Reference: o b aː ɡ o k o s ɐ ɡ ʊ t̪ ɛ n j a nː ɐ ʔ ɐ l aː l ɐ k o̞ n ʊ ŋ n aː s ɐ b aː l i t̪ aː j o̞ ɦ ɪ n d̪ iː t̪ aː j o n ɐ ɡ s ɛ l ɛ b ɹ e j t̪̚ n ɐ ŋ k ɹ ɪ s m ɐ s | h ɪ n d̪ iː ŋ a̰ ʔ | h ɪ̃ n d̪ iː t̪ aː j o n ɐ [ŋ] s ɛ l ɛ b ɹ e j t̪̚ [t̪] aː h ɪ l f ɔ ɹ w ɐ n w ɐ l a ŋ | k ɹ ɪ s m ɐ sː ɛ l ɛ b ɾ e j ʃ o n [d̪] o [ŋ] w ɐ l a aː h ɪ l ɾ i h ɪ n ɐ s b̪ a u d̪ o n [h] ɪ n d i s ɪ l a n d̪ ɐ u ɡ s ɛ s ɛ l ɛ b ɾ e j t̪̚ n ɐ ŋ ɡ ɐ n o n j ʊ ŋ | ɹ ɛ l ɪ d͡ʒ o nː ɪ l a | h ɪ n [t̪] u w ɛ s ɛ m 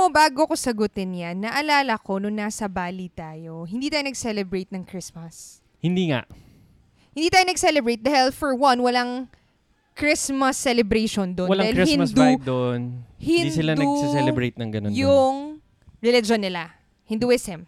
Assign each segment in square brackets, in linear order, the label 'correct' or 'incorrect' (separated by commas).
incorrect, incorrect, correct, incorrect, correct, incorrect